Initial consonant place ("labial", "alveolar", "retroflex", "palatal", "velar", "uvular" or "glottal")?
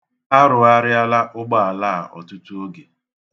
alveolar